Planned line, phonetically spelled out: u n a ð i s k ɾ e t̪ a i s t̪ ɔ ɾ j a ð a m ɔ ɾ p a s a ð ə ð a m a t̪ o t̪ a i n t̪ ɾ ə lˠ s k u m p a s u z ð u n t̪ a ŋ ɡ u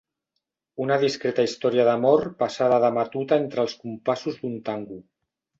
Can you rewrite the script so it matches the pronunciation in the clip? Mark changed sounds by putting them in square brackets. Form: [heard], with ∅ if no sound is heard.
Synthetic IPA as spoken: u n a ð i s k ɾ e t̪ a i s t̪ ɔ ɾ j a ð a m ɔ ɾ p a s a ð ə ð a m a t̪ [u] t̪ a [e] n t̪ ɾ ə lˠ s k u m p a s u z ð u n t̪ a ŋ ɡ u